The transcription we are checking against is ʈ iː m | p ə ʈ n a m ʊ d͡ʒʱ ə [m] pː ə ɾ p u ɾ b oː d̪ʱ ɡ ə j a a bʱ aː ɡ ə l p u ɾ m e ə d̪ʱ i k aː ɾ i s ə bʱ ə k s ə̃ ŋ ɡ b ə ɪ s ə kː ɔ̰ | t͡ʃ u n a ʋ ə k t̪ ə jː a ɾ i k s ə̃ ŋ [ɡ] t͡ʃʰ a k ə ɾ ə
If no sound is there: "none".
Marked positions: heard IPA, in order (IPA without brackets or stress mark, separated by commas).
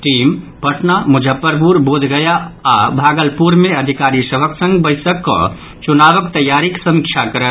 none, k